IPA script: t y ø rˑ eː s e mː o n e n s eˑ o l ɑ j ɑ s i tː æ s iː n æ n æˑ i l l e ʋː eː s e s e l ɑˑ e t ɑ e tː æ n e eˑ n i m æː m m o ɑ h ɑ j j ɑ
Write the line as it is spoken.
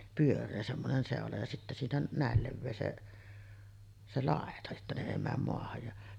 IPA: p y ø rˑ eː s e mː o n e n s eˑ o l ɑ j ɑ s i tː æ s iː n æ n æˑ e l l e ʋː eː s e s e l ɑˑ e t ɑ e tː æ n e eˑ i m æː m m o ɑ h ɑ j j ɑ